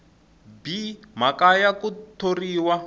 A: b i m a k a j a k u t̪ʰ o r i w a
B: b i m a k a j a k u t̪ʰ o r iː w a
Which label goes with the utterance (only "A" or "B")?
B